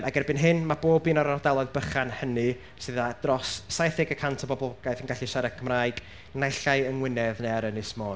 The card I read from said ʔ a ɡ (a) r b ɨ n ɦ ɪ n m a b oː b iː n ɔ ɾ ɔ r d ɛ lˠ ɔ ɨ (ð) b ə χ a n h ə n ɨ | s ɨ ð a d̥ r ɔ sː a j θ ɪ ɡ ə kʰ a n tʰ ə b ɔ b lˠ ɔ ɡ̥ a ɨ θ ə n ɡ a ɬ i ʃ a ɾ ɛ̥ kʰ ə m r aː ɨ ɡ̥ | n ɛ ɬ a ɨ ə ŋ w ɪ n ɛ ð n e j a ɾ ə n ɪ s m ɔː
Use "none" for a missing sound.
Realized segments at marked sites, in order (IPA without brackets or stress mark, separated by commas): ɛ, ð